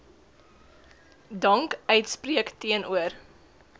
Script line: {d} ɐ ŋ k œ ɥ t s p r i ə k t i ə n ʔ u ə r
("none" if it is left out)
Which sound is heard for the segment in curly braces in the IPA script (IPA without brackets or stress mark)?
d